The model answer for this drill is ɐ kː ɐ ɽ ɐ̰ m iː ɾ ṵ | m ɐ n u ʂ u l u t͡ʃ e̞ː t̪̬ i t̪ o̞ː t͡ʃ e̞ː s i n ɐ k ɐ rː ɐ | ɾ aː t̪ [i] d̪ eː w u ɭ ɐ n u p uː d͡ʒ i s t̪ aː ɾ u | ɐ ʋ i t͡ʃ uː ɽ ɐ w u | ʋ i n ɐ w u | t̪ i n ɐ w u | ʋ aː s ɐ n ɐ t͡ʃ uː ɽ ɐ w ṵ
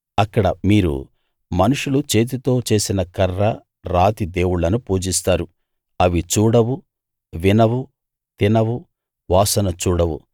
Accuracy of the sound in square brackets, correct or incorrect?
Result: correct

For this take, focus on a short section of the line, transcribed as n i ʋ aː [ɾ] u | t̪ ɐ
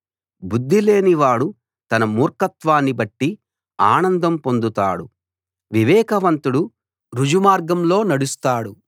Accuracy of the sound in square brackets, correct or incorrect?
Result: incorrect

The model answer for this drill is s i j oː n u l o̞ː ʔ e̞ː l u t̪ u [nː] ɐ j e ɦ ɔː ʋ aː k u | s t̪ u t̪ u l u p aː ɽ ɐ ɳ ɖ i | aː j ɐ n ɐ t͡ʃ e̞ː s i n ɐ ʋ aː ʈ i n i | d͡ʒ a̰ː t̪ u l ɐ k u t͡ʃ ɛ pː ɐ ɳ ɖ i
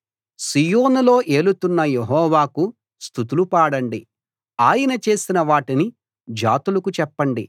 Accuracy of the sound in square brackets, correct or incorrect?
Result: correct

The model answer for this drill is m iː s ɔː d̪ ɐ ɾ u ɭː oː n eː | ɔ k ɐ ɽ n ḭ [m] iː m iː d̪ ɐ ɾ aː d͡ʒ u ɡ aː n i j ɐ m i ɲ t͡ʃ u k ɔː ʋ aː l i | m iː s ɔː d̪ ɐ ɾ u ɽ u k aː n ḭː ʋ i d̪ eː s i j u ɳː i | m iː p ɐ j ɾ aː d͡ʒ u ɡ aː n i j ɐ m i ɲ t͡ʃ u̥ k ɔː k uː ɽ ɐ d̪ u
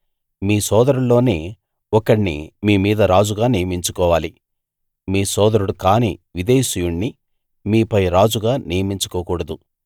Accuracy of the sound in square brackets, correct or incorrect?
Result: correct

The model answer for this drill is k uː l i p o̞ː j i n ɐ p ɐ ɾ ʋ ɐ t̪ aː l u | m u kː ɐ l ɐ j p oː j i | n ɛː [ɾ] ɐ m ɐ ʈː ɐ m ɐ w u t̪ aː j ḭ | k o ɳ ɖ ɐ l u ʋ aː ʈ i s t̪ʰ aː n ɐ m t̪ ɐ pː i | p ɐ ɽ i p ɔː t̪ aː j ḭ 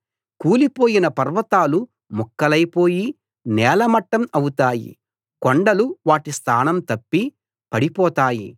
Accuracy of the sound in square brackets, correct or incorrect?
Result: incorrect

